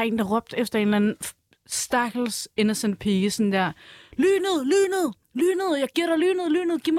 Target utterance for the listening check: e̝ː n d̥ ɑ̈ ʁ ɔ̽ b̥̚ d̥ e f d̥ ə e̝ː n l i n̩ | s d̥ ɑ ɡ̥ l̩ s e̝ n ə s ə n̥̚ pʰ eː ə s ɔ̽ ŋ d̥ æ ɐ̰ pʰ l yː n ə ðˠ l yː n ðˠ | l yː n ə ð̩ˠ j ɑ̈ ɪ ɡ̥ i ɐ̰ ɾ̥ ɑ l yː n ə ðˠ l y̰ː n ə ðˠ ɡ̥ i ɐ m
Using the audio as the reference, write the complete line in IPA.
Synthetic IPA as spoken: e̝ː n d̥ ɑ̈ ʁ ɔ̽ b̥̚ d̥ e f d̥ ɐ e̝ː n l æ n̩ | s d̥ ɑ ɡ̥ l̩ s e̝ n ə s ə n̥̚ pʰ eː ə s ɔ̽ n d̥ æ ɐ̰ l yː n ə ðˠ l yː n ðˠ | l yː n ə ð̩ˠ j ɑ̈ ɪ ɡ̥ i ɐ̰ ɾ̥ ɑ l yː n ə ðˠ l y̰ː n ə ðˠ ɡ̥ i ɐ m